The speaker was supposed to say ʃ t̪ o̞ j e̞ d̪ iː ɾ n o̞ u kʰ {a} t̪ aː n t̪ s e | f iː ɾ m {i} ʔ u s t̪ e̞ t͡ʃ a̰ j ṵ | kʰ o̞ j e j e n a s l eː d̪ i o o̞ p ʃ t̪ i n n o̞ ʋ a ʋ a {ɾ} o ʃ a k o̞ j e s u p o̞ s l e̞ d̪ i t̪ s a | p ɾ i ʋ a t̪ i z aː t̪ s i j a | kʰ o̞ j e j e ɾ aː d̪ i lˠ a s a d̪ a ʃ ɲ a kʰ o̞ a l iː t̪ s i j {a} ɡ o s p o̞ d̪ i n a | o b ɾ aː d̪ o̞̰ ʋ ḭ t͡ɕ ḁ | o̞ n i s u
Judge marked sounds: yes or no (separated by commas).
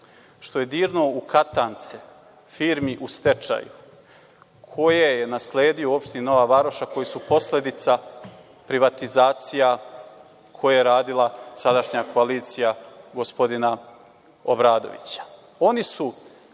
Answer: yes, yes, yes, yes